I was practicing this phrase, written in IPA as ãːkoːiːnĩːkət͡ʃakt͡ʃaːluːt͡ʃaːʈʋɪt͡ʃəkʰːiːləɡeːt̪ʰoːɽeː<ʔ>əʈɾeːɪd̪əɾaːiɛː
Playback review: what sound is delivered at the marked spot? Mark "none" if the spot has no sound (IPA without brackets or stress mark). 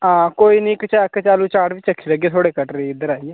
k